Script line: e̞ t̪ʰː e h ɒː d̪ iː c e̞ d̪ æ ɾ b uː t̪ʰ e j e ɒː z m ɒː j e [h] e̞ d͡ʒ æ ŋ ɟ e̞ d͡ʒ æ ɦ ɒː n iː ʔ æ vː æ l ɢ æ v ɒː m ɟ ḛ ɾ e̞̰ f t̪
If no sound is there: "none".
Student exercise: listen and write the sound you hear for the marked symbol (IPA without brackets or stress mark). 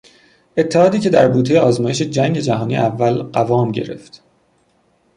ʃ